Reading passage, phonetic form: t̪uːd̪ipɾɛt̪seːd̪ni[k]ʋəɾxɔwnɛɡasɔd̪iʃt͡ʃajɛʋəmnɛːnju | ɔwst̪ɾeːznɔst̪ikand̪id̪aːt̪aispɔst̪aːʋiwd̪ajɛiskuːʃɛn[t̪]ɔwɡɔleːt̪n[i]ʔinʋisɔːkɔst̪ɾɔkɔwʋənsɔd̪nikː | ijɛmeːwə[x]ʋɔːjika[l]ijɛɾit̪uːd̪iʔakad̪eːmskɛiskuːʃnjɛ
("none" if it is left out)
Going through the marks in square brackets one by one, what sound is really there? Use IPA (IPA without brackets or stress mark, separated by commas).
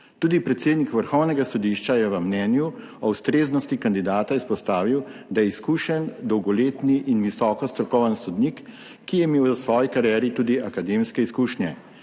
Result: k, d̪, i, s, ɾ